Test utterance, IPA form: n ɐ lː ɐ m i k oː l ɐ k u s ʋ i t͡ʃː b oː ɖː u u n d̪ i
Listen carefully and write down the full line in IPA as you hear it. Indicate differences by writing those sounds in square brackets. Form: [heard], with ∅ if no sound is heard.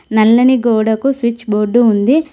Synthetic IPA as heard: n ɐ lː ɐ [n] i [ɡ] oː [ɽ] ɐ k u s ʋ i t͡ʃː b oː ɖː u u n d̪ i